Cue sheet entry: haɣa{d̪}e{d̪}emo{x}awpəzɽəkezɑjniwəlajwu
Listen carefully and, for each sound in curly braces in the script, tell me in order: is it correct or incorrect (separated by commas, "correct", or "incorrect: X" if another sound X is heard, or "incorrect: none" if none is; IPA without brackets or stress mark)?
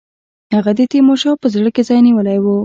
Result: correct, incorrect: t̪, incorrect: ʃ